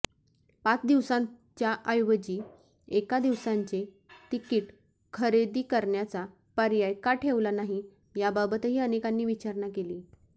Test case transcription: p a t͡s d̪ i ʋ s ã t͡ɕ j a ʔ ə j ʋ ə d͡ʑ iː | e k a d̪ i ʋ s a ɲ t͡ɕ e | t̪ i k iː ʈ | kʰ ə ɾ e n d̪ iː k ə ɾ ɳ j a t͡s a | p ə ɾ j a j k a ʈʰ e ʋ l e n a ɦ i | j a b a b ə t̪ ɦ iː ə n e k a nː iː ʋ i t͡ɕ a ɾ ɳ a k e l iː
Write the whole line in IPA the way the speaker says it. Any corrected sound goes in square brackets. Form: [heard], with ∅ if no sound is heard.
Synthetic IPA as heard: p a t͡s d̪ i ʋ s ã t͡ɕ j a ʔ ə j ʋ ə d͡ʑ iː | e k a d̪ i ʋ s a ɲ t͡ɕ e | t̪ i k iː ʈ | kʰ ə ɾ e [∅] d̪ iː k ə ɾ ɳ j a t͡s a | p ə ɾ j a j k a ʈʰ e ʋ l [a] n a ɦ i | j a b a b ə t̪ ɦ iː ə n e k a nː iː ʋ i t͡ɕ a ɾ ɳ a k e l iː